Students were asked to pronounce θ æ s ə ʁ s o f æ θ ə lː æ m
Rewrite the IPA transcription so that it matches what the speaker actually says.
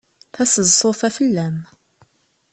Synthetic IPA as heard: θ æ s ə z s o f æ f ə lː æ m